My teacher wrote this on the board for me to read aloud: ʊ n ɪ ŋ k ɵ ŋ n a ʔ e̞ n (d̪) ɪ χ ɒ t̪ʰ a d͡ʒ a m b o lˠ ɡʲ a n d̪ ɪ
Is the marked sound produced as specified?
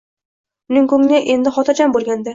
yes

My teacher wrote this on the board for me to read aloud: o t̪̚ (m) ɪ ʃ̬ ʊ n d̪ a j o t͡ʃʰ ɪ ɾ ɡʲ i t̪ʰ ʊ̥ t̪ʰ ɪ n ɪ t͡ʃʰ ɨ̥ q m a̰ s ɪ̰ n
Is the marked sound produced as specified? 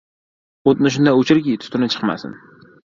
no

